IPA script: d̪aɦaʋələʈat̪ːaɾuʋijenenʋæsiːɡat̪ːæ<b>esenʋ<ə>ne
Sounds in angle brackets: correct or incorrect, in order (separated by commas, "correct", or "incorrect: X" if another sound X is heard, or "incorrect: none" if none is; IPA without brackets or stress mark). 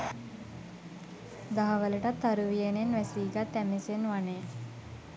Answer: incorrect: m, incorrect: a